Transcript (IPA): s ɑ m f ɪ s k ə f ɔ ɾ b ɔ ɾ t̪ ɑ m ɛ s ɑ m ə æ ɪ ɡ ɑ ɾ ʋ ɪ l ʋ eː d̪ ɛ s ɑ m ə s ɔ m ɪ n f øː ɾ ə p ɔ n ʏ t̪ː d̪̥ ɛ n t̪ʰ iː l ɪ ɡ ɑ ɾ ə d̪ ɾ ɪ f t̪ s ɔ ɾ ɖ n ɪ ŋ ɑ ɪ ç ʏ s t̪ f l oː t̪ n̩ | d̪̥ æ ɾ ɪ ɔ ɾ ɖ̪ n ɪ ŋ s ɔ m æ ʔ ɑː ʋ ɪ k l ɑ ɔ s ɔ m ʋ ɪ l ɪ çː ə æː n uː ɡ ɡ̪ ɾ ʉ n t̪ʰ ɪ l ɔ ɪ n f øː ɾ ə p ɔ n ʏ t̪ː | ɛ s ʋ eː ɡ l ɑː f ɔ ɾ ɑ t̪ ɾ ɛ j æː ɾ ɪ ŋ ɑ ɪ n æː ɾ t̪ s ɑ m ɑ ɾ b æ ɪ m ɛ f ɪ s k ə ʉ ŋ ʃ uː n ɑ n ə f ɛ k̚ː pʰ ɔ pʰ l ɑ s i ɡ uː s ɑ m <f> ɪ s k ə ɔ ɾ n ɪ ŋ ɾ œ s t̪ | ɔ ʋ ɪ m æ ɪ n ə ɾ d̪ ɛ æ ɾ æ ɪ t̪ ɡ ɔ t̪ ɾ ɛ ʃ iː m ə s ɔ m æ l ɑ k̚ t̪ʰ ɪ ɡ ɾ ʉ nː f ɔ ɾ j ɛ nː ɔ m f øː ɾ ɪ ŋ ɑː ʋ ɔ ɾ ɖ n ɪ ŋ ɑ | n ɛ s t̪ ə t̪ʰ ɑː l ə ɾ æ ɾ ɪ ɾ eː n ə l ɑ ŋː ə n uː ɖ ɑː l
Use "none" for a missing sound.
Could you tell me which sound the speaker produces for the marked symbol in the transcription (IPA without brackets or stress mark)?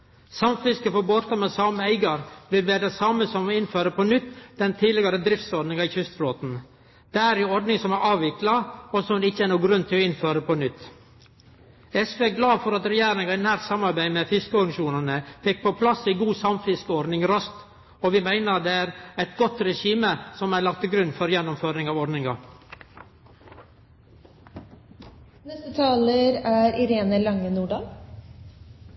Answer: f